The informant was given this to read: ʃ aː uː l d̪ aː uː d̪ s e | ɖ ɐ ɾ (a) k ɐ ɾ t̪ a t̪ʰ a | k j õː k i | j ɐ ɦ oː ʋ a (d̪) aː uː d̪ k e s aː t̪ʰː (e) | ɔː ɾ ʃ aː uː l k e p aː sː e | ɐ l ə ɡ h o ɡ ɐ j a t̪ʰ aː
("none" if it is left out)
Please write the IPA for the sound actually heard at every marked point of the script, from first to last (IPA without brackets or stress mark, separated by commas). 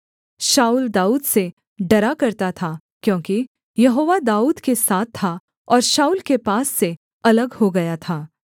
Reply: a, d̪, a